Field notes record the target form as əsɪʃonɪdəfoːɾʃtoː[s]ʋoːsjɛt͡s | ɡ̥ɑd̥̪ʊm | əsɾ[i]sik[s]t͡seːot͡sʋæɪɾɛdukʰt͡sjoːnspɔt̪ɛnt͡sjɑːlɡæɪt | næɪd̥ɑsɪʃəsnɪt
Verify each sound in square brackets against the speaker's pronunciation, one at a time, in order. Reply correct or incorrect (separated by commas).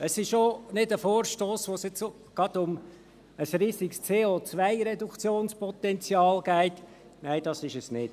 correct, incorrect, correct